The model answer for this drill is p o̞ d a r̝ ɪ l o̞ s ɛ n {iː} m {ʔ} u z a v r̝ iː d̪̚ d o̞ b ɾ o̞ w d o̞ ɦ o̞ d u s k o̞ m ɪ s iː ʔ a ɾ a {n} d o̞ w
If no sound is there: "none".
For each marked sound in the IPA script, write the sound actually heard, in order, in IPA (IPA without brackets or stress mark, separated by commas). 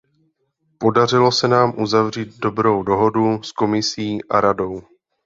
aː, ʔ, none